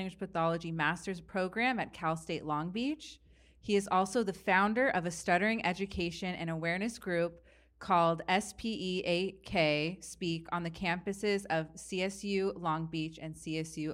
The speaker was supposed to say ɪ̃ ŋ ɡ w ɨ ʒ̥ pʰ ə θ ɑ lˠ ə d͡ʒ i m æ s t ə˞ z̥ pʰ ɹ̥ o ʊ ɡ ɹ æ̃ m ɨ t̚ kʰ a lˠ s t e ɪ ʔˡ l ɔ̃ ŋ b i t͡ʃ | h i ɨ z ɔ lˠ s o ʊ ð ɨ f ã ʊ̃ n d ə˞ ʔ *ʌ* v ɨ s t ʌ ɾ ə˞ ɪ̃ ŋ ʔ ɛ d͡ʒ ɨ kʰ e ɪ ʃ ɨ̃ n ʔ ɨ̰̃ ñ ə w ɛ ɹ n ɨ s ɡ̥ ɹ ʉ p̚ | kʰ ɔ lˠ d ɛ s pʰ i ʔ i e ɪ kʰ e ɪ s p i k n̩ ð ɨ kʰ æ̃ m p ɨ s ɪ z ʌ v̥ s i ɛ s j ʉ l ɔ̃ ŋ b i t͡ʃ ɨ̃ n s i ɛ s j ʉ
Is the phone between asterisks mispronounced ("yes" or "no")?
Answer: no